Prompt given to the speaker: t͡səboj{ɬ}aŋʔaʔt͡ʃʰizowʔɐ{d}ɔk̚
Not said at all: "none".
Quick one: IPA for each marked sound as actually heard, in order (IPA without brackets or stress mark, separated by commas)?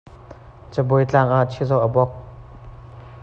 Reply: t͡ɬ, b